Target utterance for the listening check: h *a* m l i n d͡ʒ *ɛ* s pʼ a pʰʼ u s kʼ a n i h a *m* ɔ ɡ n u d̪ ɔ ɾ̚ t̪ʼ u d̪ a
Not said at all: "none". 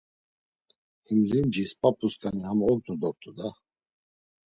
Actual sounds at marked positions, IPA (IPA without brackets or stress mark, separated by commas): i, i, m